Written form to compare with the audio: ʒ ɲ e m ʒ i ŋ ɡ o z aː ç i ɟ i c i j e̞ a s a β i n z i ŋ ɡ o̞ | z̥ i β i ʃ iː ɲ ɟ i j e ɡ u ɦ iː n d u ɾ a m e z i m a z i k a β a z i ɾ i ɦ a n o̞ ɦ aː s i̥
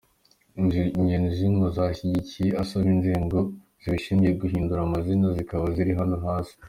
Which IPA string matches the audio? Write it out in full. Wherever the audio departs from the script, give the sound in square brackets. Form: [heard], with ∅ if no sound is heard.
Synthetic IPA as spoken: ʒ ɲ e [n] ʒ i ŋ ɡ o z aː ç i ɟ i c i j e̞ a s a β i n z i ŋ ɡ o̞ | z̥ i β i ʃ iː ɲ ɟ i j e ɡ u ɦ iː n d u ɾ a m [a] z i [n] a z i k a β a z i ɾ i ɦ a n o̞ ɦ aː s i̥